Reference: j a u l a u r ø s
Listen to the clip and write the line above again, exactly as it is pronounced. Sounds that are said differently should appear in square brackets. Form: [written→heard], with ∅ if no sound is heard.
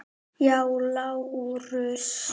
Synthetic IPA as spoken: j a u l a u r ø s